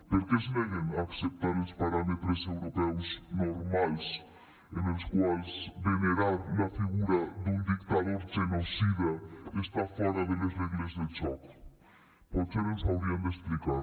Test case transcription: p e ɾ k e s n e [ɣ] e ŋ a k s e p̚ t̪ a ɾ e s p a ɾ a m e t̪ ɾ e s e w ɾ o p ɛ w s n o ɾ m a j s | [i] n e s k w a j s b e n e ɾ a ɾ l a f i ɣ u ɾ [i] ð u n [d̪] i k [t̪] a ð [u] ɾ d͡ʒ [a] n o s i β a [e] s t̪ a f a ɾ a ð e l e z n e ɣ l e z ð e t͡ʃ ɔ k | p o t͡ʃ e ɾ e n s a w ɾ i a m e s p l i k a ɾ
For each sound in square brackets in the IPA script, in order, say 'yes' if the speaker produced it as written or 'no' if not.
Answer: yes, no, no, yes, yes, no, no, yes

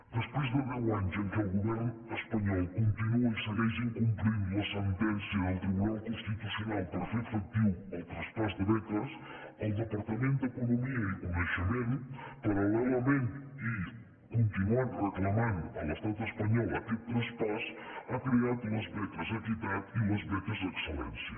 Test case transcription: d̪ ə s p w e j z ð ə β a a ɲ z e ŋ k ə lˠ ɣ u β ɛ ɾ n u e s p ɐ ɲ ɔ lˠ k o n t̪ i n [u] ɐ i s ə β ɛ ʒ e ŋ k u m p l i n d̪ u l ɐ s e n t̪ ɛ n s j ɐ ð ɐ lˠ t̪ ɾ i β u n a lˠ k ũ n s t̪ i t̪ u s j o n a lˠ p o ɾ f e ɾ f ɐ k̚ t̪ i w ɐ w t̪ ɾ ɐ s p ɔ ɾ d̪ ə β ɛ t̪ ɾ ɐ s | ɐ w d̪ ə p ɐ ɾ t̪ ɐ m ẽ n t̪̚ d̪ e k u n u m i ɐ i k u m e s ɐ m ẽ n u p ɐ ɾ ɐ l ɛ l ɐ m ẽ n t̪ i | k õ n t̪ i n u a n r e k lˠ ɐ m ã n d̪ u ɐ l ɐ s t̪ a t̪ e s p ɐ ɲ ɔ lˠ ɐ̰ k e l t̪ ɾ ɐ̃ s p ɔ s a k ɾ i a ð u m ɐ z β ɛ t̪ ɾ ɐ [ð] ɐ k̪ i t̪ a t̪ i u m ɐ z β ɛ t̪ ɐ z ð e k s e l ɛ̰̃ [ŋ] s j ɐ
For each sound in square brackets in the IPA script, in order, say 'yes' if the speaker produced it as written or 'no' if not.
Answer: yes, no, no

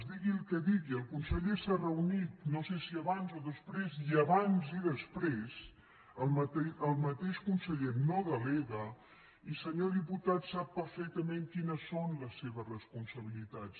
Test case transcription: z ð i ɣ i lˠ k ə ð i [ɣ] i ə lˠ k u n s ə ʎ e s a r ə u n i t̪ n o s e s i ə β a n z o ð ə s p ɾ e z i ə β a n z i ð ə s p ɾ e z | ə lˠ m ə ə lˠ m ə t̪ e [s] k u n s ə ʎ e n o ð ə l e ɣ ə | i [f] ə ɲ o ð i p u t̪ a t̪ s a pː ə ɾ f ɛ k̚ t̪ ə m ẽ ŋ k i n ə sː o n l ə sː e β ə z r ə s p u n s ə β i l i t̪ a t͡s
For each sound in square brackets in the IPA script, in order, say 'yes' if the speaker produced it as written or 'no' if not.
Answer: yes, no, no

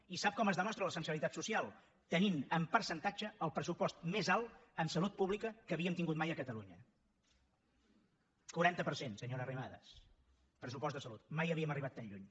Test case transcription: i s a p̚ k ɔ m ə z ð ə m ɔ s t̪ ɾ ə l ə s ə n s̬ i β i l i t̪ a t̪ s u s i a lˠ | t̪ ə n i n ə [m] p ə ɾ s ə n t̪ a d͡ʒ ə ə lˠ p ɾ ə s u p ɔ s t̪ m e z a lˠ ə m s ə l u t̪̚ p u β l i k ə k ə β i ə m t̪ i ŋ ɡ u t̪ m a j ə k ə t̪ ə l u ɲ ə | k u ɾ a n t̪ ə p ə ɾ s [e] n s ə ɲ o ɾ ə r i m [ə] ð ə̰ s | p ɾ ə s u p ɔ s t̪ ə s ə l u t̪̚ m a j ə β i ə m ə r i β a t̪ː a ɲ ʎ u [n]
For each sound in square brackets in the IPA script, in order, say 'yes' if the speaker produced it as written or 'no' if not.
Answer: yes, yes, no, no

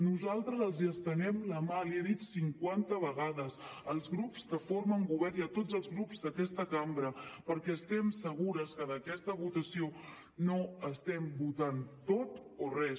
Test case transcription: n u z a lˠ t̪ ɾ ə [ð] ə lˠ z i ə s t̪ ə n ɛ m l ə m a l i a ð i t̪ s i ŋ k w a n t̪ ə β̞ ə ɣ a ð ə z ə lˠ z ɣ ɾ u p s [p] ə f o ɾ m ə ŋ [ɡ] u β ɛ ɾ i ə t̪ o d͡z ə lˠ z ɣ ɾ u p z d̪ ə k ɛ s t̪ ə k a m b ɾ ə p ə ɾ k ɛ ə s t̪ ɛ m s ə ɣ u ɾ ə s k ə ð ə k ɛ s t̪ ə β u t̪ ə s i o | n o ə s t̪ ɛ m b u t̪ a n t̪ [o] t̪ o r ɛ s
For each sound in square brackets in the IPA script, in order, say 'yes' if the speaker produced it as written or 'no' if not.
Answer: no, no, yes, yes

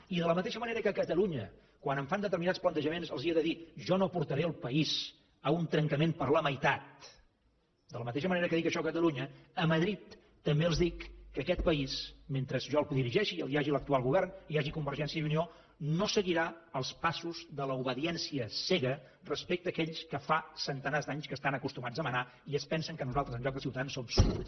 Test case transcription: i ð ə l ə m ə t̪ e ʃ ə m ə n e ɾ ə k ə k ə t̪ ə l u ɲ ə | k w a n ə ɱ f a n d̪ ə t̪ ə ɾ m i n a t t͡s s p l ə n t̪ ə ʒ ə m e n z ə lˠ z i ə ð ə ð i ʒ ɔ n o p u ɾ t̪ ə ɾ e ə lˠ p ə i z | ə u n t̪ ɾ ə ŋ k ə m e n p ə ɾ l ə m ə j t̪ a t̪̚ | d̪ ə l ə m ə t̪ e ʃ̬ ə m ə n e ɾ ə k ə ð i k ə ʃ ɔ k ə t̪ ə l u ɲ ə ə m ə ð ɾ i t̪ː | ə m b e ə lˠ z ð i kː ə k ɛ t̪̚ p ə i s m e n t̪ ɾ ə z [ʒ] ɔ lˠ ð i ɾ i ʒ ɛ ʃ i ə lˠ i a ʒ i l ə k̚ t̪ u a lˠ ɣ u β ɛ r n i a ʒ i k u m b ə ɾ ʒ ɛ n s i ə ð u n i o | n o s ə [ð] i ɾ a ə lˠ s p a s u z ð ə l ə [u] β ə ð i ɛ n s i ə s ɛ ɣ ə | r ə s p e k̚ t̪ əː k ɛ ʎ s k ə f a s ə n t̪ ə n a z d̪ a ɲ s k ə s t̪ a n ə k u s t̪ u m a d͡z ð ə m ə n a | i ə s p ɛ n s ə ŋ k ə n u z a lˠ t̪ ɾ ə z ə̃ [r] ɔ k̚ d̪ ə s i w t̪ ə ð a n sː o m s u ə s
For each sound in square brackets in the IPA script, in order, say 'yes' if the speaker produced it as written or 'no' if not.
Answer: yes, no, yes, no

